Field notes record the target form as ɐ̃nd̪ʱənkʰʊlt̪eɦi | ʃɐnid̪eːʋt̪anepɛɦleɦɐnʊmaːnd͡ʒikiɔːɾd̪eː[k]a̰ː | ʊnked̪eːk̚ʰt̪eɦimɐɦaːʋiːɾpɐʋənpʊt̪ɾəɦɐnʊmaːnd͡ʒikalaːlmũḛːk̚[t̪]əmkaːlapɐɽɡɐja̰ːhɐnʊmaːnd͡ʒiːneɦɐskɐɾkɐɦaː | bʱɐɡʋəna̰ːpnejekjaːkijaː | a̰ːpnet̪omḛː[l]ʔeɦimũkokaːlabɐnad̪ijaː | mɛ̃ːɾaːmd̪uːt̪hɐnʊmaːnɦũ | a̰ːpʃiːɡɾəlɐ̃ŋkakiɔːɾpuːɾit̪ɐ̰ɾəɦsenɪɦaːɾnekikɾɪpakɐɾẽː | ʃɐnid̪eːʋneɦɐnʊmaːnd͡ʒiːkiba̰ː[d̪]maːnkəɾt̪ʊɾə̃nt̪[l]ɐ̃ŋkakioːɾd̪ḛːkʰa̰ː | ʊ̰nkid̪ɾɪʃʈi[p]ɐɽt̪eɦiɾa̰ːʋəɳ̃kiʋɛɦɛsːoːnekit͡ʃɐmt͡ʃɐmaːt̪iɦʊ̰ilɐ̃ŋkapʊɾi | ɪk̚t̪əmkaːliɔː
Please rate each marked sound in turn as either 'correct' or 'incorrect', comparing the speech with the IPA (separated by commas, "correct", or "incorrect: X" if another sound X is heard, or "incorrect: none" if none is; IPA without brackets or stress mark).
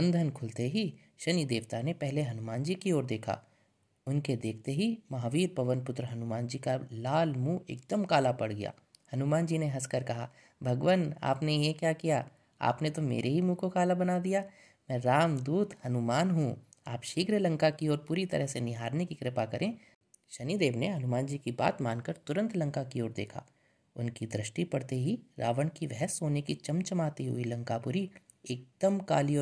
incorrect: kʰ, incorrect: d̪, incorrect: ɾ, incorrect: t̪, correct, correct